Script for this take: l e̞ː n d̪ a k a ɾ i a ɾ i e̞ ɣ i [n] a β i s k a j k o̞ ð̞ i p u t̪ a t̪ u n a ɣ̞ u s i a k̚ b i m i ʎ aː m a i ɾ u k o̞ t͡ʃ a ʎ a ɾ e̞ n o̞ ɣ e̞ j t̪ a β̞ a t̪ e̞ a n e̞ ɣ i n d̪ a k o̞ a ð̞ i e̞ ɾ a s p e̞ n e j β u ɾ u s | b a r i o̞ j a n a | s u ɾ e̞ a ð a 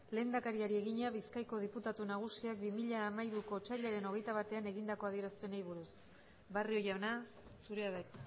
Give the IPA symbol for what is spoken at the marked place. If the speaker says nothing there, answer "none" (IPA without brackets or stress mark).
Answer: ɲ